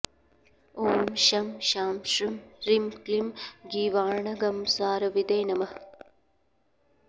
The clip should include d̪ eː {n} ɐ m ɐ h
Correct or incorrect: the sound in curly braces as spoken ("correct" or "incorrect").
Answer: correct